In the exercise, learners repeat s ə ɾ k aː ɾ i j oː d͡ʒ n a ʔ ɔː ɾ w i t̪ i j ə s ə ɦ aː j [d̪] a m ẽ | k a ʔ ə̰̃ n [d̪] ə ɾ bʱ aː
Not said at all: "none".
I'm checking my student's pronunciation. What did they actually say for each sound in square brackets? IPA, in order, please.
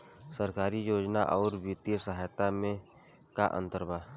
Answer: t̪, t̪

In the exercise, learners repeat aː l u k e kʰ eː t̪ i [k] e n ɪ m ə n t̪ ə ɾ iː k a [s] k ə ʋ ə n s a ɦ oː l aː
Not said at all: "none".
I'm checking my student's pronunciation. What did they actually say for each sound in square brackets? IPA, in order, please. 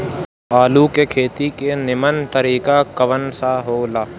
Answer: k, none

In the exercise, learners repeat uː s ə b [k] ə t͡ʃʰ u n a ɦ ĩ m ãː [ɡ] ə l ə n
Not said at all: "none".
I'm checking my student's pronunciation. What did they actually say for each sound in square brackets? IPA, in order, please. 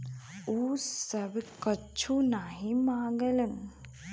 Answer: k, ɡ

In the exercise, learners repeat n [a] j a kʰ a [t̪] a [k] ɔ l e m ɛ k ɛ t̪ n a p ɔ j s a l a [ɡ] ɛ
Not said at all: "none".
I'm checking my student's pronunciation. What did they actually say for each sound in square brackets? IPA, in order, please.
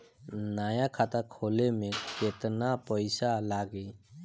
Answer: a, t̪, kʰ, ɡ

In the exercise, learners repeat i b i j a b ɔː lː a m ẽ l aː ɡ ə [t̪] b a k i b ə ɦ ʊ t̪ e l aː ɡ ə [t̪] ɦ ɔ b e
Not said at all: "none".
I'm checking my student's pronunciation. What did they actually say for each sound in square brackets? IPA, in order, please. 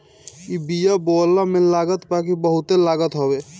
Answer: t̪, t̪

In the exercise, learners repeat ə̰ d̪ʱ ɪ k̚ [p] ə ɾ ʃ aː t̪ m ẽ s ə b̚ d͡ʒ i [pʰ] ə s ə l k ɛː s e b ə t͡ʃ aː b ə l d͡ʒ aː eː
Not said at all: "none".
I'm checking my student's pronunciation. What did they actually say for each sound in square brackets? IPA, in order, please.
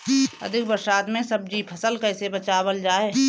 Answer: b, pʰ

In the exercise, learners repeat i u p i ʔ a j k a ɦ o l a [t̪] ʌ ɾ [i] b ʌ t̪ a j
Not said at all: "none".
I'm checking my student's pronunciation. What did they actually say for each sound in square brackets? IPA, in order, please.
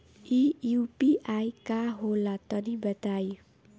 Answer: t̪, i

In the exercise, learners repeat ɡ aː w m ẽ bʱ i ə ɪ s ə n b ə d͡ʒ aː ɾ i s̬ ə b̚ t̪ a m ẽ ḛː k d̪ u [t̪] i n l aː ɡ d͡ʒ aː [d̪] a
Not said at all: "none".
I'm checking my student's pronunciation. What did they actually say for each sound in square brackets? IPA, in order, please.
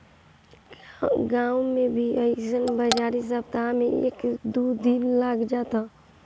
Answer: d̪, t̪

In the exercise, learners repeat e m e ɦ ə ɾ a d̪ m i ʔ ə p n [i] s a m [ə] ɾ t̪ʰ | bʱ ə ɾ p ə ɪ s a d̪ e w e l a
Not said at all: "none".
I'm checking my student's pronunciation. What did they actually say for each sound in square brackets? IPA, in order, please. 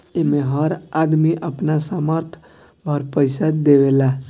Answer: a, ə

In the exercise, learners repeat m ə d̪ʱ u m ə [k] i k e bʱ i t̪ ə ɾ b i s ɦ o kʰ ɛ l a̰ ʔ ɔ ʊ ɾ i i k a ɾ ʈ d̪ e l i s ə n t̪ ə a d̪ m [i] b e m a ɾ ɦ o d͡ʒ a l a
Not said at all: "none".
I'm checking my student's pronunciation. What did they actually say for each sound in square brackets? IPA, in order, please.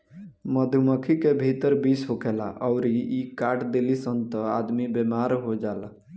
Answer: kʰ, i

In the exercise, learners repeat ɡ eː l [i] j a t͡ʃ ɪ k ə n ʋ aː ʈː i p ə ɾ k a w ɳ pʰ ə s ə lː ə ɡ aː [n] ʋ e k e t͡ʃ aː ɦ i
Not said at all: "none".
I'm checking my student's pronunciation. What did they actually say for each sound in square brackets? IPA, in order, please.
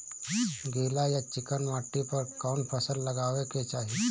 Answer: a, none

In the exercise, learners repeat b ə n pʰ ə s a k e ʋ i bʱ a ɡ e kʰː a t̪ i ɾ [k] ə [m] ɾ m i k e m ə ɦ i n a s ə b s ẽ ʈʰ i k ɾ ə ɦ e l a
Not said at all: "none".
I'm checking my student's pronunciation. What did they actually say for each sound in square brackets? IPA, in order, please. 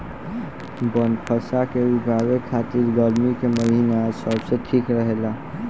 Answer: ɡ, none

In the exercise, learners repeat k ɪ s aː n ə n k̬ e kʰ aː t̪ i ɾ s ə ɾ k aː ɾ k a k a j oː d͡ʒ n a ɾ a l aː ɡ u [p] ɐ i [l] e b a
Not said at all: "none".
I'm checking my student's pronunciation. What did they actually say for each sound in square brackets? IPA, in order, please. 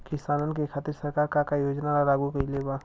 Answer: k, l

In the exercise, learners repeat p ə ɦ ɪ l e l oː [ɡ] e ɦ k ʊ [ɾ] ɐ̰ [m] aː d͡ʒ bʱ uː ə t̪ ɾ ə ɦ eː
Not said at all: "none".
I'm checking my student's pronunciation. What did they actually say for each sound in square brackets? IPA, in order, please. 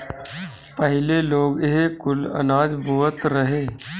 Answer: ɡ, l, n

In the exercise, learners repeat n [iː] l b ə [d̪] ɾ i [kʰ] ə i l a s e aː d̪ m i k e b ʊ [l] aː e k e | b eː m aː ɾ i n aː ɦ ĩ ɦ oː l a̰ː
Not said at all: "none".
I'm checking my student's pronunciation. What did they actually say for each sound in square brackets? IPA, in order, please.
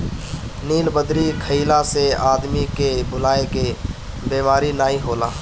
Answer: iː, d̪, kʰ, l

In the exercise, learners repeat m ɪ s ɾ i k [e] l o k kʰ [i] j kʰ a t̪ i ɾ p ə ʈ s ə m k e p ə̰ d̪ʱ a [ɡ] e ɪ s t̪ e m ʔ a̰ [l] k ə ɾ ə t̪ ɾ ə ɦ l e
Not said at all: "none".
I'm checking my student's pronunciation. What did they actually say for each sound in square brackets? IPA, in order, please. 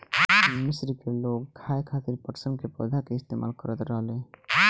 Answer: e, a, k, l

